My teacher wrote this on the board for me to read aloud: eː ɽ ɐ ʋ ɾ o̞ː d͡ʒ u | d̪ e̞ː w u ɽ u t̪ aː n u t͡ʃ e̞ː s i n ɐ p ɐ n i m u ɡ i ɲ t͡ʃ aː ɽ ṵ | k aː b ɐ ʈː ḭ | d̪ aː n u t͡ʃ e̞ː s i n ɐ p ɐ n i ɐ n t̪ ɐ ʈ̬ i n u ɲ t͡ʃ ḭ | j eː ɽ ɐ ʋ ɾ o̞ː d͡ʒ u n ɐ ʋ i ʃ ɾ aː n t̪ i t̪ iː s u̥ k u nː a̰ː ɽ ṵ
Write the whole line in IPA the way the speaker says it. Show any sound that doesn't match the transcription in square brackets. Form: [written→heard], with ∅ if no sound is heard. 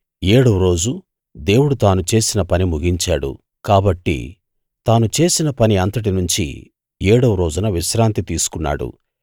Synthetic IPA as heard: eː ɽ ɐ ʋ ɾ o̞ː d͡ʒ u | d̪ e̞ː w u ɽ u t̪ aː n u t͡ʃ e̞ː s i n ɐ p ɐ n i m u ɡ i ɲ t͡ʃ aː ɽ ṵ | k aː b ɐ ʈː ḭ | [d̪→t̪] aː n u t͡ʃ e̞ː s i n ɐ p ɐ n i ɐ n t̪ ɐ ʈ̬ i n u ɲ t͡ʃ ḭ | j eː ɽ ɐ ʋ ɾ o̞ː d͡ʒ u n ɐ ʋ i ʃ ɾ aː n t̪ i t̪ iː s u̥ k u nː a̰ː ɽ ṵ